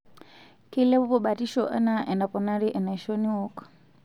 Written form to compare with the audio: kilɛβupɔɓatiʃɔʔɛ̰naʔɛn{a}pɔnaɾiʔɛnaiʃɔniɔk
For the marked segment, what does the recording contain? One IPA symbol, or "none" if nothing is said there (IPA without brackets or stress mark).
a